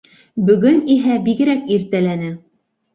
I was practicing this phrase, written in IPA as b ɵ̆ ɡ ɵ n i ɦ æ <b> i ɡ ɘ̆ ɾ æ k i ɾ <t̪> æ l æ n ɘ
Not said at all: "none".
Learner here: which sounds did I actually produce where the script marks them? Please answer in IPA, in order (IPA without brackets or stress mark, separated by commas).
b, t̪